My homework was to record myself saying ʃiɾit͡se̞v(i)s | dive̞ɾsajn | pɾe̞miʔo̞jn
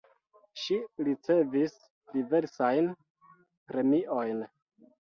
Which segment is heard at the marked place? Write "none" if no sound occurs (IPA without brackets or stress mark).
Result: i